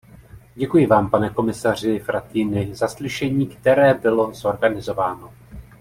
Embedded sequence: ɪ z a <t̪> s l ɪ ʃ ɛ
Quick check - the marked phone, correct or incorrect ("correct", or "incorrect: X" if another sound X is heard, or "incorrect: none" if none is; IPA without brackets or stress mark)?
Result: incorrect: none